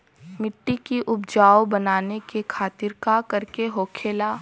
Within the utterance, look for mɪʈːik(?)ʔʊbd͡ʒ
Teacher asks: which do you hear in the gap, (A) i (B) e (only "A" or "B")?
A